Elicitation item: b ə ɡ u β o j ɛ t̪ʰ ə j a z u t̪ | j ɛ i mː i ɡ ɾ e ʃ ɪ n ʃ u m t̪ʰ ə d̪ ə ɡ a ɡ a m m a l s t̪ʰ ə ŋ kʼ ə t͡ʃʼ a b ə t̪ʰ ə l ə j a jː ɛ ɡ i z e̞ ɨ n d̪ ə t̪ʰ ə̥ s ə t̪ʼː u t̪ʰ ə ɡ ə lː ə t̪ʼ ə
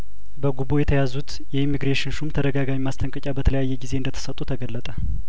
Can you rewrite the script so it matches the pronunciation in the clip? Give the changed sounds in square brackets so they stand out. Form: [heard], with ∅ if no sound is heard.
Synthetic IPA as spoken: b ə ɡ u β o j ɛ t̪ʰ ə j a z u t̪ | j ɛ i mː i ɡ ɾ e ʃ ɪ n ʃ u m t̪ʰ ə d̪ ə ɡ a ɡ a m m a [∅] s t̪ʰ ə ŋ kʼ ə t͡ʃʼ a b ə t̪ʰ ə l ə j a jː ɛ ɡ i z e̞ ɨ n d̪ ə t̪ʰ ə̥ s ə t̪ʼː u t̪ʰ ə ɡ ə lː ə t̪ʼ ə